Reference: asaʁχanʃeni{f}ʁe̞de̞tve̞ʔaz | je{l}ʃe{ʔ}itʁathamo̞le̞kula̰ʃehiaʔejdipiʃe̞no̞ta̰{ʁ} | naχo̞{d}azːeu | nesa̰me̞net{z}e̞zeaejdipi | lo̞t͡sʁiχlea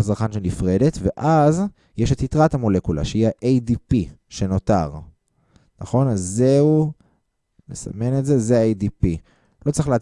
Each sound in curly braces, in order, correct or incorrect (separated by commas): correct, incorrect, incorrect, correct, incorrect, correct